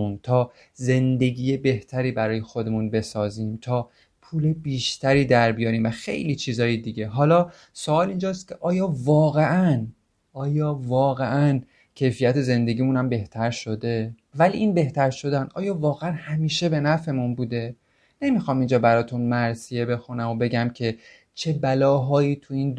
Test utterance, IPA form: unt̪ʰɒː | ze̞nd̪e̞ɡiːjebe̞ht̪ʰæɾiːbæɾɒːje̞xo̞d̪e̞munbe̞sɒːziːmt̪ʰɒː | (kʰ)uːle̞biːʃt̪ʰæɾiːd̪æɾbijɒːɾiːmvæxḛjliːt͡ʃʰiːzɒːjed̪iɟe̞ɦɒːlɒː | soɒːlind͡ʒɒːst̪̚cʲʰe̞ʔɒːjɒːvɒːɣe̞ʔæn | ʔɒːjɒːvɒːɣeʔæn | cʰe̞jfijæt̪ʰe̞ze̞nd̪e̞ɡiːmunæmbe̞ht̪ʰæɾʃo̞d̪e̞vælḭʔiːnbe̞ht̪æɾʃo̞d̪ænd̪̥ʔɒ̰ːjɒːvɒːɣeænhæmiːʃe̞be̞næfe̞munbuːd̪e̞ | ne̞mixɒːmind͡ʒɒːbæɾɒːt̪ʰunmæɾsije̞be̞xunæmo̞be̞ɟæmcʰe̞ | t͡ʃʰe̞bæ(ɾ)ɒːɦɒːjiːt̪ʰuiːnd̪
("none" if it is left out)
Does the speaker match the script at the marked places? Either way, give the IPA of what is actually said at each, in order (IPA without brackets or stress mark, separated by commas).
pʰ, l